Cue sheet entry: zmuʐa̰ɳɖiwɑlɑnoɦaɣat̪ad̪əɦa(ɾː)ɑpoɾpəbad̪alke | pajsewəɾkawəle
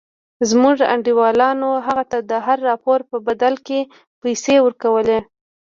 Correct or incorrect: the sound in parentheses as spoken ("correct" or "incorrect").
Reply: correct